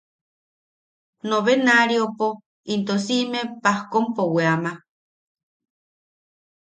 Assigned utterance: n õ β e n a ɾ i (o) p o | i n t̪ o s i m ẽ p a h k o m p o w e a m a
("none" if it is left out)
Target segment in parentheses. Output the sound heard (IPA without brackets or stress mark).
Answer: o